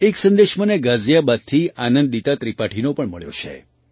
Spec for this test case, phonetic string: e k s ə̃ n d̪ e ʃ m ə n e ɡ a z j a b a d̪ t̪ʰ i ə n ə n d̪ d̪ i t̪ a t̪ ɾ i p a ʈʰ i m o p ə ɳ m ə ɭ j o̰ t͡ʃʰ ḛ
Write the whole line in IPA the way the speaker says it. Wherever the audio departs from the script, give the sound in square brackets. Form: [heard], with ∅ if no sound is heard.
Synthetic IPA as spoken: e k s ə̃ n d̪ e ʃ m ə n e ɡ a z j a b a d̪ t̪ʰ i [a] n ə n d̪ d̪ i t̪ a t̪ ɾ i p a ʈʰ i [n] o p ə ɳ m ə ɭ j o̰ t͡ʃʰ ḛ